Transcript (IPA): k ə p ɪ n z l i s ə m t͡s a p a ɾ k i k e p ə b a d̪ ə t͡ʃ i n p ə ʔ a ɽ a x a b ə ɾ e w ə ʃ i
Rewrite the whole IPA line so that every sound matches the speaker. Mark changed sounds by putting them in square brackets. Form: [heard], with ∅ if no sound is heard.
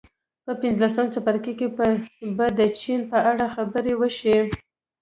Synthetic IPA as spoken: [p] ə p ɪ n z l [a] s ə m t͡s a p a ɾ k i k e p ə b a d̪ ə t͡ʃ i n p ə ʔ a ɽ a x a b ə ɾ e w ə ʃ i